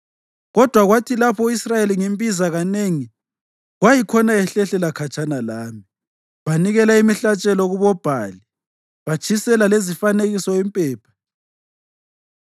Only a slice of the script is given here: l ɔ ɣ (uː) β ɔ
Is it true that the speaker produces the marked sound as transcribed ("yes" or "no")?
no